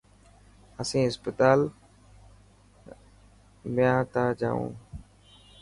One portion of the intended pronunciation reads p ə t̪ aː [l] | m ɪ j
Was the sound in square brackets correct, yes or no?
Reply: yes